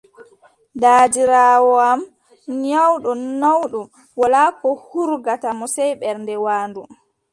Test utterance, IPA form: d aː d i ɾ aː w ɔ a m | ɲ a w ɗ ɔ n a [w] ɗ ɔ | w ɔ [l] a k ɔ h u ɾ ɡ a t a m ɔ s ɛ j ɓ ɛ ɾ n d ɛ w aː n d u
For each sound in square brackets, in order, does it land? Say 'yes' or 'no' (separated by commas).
yes, yes